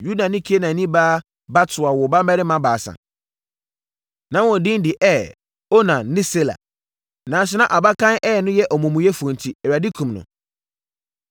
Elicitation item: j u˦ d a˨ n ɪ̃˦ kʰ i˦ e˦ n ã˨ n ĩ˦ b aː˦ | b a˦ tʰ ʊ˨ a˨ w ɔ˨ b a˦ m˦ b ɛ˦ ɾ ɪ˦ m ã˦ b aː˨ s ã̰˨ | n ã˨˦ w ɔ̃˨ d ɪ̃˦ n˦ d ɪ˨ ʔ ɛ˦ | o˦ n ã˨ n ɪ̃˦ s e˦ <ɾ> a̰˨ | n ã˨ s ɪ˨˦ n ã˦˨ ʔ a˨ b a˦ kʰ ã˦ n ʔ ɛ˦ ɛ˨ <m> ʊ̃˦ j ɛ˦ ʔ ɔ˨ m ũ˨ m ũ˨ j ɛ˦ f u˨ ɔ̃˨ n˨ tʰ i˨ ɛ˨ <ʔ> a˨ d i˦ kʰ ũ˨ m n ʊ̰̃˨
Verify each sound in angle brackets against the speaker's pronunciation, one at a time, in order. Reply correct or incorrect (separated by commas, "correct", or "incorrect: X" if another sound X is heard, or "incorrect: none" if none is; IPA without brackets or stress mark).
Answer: incorrect: l, incorrect: n, incorrect: none